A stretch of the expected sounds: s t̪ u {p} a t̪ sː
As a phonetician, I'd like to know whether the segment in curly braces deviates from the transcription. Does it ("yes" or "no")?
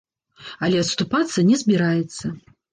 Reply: no